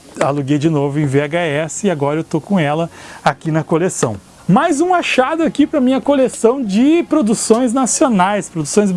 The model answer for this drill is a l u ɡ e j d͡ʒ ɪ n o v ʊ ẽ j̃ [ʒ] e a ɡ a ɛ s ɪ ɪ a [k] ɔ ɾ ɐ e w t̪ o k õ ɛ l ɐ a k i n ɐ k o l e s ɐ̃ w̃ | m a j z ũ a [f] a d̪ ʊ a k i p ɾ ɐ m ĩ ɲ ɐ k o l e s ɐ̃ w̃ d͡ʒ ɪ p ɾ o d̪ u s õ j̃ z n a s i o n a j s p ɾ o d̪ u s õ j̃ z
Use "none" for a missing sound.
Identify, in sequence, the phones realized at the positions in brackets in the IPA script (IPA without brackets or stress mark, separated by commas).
v, ɡ, ʃ